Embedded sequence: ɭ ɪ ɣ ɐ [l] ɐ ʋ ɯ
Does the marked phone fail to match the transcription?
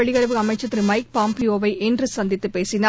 yes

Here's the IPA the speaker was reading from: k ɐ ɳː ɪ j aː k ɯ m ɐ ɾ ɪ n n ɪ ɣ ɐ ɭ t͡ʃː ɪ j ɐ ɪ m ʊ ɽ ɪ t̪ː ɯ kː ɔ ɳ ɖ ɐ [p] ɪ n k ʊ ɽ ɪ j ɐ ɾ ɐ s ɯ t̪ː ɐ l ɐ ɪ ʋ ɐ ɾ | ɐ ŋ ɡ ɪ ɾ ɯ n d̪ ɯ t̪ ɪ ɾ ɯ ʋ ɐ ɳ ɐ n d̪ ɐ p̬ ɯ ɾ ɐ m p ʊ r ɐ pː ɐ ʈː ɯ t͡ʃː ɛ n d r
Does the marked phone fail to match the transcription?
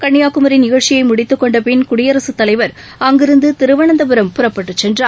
no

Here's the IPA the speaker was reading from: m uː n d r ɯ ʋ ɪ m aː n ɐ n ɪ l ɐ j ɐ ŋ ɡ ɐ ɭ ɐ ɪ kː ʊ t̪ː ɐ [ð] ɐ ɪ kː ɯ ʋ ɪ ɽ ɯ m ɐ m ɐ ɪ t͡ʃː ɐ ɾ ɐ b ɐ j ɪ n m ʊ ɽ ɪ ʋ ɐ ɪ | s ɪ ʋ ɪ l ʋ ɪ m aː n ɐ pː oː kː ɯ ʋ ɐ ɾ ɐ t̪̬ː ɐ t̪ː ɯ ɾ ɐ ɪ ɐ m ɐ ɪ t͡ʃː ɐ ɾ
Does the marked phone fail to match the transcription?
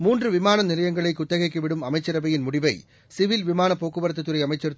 yes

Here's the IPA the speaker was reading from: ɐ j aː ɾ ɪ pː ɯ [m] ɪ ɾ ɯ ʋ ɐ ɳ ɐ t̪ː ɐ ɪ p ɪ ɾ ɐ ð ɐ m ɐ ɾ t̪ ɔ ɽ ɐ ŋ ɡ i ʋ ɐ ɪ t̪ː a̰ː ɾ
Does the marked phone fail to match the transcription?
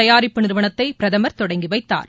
yes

